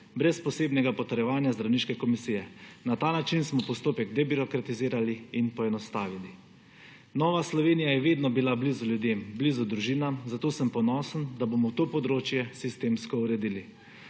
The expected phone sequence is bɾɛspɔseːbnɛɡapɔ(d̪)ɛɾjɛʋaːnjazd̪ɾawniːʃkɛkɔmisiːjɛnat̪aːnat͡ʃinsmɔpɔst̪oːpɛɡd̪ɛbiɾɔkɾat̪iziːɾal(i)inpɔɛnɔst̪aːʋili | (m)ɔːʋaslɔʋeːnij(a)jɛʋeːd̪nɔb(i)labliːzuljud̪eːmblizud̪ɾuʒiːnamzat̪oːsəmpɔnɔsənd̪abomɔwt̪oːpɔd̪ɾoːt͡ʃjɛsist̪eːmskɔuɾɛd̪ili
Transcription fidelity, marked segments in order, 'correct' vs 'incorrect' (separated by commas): incorrect, correct, incorrect, correct, correct